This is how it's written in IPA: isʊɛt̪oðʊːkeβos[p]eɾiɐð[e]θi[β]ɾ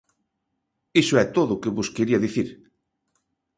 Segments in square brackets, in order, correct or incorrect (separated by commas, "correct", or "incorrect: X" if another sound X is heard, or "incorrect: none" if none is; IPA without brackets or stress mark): incorrect: k, incorrect: i, incorrect: none